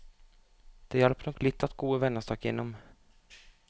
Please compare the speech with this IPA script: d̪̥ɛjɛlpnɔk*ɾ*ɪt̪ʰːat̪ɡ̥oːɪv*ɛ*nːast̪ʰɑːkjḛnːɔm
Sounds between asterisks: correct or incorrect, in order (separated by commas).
incorrect, correct